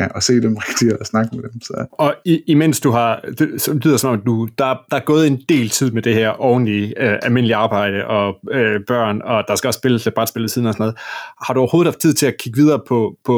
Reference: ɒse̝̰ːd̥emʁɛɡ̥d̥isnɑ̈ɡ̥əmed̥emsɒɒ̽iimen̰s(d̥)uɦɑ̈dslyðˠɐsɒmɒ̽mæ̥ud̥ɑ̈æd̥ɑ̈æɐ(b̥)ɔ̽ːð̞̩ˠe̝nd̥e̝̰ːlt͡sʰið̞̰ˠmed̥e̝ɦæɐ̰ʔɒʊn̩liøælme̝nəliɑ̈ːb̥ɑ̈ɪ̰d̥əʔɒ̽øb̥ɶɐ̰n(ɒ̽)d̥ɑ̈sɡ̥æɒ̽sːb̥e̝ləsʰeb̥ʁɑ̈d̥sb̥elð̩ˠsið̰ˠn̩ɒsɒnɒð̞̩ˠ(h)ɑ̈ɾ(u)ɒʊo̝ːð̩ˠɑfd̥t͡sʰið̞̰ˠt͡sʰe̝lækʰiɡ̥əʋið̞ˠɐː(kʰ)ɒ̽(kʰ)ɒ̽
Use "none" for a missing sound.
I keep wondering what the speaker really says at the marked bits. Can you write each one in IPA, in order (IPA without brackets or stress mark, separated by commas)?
d̥, ɡ̥, ɒ̽, h, u, pʰ, pʰ